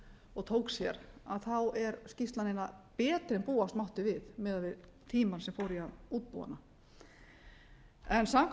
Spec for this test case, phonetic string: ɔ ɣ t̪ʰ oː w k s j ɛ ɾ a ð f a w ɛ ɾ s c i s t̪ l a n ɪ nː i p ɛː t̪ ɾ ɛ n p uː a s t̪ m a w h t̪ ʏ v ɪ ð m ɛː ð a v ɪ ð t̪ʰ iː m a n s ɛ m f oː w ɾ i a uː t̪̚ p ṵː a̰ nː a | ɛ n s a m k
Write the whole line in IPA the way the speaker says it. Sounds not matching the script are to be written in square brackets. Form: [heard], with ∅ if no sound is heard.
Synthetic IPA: ɔ ɣ t̪ʰ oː w k s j ɛ ɾ a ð [θ] a w ɛ ɾ s c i s t̪ l a n ɪ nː [a] p ɛː t̪ ɾ ɛ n p uː a s t̪ m a w h t̪ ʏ v ɪ ð m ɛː ð a v ɪ ð t̪ʰ iː m a n s ɛ m f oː w ɾ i a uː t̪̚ p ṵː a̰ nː a | ɛ n s a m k